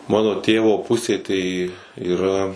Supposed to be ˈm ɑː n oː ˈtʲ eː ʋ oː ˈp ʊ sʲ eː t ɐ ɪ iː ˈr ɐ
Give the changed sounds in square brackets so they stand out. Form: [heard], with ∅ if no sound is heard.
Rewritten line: ˈm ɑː n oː ˈtʲ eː ʋ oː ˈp ʊ sʲ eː t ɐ ɪ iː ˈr ɐ